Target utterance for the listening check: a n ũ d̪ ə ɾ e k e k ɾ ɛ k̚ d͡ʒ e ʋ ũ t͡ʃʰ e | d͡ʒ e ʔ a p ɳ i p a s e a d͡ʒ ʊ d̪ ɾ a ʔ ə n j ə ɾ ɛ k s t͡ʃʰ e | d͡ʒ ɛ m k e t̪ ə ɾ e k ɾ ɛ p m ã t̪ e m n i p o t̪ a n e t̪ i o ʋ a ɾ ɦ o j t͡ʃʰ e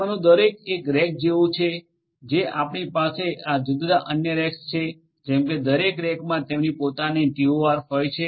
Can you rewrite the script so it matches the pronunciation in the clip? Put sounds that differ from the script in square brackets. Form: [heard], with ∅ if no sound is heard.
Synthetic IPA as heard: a n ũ d̪ ə ɾ e k e k ɾ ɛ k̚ d͡ʒ e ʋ ũ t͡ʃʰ e | d͡ʒ e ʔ a p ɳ i p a s e a d͡ʒ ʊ d̪ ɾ a ʔ ə n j ə ɾ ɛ k s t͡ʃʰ e | d͡ʒ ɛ m k e [d̪] ə ɾ e k ɾ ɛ [k] m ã t̪ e m n i p o t̪ a n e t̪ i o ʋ a ɾ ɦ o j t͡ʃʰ e